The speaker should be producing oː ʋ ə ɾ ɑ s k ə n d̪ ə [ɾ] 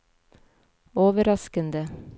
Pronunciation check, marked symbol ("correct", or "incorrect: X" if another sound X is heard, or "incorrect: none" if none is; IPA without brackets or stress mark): incorrect: none